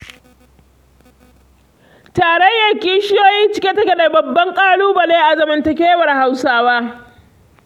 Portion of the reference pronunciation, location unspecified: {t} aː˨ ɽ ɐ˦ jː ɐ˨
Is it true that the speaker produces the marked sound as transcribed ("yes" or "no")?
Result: yes